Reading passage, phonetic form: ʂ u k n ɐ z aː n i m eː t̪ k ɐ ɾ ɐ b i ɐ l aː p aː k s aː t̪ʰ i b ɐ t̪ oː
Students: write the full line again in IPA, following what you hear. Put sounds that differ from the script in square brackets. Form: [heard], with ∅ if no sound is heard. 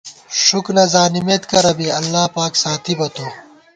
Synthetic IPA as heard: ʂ u k n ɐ z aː n i m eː t̪ k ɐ ɾ ɐ b i ɐ [lː] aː p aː k s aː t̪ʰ i b ɐ t̪ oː